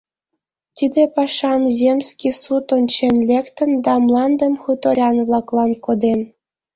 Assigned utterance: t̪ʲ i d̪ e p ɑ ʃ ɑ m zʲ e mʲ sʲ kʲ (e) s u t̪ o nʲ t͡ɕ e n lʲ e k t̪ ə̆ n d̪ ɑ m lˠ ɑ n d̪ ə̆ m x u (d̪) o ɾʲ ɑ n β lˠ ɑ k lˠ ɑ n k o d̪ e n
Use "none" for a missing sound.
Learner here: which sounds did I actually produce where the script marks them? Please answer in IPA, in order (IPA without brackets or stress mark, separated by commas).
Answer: i, t̪